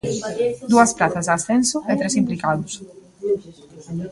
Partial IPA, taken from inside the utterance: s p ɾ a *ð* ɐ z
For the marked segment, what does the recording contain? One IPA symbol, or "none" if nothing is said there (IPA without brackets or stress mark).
θ